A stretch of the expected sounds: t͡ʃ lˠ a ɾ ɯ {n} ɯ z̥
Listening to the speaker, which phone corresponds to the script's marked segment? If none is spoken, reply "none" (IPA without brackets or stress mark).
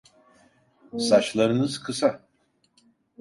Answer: n